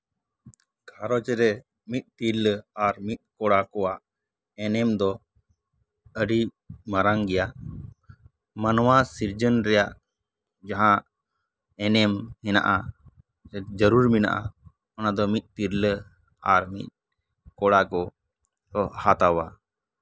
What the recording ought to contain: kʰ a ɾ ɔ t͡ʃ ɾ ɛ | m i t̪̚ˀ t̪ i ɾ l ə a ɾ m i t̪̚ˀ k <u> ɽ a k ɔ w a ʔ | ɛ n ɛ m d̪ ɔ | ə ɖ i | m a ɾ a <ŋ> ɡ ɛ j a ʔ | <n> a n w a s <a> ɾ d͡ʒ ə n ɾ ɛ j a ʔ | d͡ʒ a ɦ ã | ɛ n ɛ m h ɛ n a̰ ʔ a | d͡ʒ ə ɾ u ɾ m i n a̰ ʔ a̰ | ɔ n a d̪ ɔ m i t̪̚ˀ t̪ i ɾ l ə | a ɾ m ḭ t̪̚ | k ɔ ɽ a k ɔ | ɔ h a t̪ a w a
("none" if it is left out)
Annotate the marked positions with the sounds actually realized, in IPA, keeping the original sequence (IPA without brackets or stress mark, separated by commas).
ɔ, ŋ, m, i